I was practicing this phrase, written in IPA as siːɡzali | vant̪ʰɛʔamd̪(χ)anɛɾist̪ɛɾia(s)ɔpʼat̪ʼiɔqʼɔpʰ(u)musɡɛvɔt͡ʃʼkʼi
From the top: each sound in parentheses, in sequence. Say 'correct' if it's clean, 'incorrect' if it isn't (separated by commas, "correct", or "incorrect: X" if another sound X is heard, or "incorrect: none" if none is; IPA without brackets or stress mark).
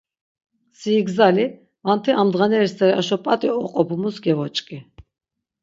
incorrect: ʁ, incorrect: ʃ, correct